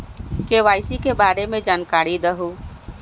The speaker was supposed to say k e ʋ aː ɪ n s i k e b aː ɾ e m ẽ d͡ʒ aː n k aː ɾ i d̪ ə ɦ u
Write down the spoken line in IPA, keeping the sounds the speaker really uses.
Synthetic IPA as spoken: k e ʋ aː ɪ s i k e b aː ɾ e m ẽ d͡ʒ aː n k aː ɾ i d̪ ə ɦ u

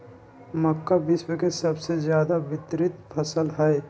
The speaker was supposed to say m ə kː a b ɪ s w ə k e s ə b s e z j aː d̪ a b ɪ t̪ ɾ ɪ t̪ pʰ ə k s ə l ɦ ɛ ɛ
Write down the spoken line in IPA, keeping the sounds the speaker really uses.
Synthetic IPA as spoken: m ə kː a b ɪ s w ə k e s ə b s e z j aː d̪ a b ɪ t̪ ɾ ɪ t̪ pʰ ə s ə l ɦ ɛ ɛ

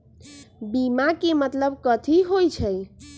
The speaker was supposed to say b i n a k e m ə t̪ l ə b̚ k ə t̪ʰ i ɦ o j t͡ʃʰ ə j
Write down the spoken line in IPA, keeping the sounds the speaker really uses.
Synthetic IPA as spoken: b i m a k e m ə t̪ l ə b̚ k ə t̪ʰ i ɦ o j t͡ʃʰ ə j

